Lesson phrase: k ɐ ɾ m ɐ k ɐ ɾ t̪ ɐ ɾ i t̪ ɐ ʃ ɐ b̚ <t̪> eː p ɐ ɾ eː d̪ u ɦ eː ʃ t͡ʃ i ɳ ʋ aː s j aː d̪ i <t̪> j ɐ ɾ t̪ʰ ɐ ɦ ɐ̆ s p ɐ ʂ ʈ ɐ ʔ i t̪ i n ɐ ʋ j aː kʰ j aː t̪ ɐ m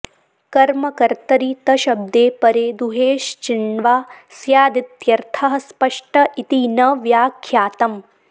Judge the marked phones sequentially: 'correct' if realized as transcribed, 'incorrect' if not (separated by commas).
incorrect, correct